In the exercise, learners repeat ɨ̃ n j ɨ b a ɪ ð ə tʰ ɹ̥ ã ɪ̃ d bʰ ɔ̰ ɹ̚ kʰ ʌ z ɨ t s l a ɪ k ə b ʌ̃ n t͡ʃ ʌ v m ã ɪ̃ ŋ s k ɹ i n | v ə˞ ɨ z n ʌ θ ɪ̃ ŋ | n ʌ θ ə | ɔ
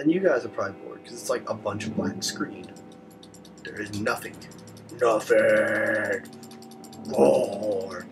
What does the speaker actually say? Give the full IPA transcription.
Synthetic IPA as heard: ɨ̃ n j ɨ ɡ a ɪ z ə pʰ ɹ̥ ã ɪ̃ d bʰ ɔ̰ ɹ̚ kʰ ʌ z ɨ t s l a ɪ k ə b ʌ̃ n t͡ʃ ʌ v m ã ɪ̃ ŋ s k ɹ ĩ n | ð ə˞ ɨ z n ʌ θ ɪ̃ ŋ | n ʌ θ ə | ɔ